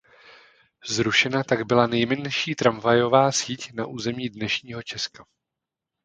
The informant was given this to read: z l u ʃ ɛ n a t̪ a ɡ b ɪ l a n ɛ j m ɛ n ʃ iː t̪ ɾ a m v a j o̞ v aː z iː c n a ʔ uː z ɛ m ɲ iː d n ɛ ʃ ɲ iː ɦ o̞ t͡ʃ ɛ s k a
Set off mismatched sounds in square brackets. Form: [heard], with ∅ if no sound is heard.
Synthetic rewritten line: z [ɾ] u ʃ ɛ n a t̪ a ɡ b ɪ l a n ɛ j m ɛ n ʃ iː t̪ ɾ a m v a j o̞ v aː [s] iː c n a ʔ uː z ɛ m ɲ iː d n ɛ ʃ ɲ iː ɦ o̞ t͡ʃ ɛ s k a